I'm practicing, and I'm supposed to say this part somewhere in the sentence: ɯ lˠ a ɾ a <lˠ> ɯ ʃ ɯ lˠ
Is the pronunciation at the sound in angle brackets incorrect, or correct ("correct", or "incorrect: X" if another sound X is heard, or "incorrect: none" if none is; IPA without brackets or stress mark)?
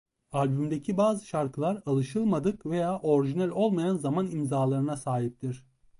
correct